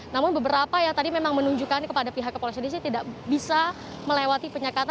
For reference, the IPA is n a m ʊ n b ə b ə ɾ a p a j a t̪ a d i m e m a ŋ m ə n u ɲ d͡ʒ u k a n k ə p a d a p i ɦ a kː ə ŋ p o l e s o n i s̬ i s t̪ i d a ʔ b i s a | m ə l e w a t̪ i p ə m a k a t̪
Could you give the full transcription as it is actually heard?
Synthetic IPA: n a m ʊ n b ə b ə ɾ a p a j a t̪ a d i m e m a ŋ m ə n u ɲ d͡ʒ u k a n k ə p a d a p i ɦ a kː ə p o l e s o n i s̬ i t̪ i d a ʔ b i s a | m ə l e w a t̪ i p ə ɲ a k a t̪